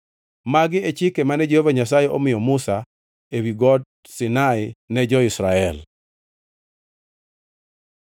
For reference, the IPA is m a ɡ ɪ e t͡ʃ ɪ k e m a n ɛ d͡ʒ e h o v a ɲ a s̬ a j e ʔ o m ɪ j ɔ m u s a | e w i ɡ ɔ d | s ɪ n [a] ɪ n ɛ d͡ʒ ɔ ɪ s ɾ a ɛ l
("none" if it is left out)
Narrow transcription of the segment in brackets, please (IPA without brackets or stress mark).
a